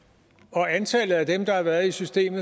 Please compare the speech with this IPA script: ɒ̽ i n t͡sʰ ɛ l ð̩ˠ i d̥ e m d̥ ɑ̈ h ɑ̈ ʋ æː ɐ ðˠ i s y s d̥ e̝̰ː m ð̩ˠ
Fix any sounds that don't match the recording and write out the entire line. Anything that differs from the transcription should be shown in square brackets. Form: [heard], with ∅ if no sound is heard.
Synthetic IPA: ɒ̽ [æ] n t͡sʰ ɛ l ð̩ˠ [æ] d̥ e m d̥ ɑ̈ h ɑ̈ ʋ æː ɐ ðˠ i s y s d̥ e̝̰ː m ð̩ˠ